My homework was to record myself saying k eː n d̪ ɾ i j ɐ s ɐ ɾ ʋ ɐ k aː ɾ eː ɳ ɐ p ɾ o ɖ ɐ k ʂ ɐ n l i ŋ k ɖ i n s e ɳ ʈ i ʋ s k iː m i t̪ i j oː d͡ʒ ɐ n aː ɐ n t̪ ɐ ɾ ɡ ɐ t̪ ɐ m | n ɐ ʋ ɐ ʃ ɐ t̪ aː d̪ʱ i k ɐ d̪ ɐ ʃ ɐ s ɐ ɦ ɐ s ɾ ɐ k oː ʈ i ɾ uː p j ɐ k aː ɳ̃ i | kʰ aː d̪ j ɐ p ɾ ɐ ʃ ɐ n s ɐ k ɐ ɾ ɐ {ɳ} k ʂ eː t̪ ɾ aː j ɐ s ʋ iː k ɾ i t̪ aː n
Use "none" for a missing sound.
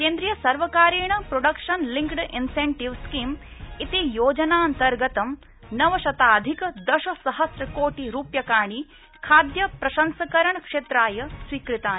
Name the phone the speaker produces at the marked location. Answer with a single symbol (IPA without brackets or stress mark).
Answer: ɳ